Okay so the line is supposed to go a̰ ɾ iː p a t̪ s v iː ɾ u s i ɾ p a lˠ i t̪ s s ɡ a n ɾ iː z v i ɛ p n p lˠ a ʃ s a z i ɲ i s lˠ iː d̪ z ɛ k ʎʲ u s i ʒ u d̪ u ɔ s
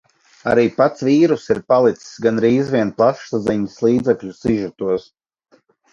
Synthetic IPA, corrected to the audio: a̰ ɾ iː p a t̪ s v iː ɾ u s i ɾ p a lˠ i t̪ s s ɡ a n ɾ iː z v i ɛ n p lˠ a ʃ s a z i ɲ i s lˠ iː d̪ z ɛ k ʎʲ u s i ʒ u t̪ u ɔ s